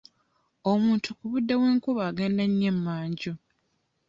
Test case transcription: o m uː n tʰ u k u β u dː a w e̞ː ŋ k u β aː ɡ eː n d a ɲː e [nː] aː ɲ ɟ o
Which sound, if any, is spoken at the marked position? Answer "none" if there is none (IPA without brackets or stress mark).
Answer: mː